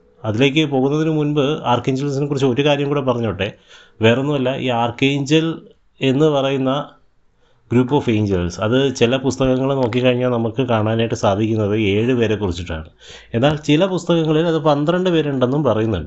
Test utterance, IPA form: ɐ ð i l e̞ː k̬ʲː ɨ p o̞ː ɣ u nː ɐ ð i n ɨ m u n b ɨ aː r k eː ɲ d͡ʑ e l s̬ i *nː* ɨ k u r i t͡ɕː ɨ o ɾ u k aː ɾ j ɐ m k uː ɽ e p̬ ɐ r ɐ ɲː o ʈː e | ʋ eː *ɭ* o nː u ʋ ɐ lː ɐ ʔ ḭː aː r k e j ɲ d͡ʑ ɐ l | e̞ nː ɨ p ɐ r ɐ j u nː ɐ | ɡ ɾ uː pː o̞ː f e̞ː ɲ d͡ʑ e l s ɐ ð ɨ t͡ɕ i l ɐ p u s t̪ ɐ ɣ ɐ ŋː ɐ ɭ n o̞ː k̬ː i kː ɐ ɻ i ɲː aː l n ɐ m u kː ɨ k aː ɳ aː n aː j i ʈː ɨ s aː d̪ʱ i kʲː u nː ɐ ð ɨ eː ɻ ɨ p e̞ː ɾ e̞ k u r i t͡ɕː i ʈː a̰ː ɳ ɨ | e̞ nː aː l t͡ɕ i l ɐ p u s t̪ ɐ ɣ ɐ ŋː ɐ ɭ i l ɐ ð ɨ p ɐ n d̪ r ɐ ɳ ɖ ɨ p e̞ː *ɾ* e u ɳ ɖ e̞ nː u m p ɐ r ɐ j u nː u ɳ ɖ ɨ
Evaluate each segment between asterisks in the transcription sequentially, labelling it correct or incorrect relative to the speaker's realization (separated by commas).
incorrect, incorrect, correct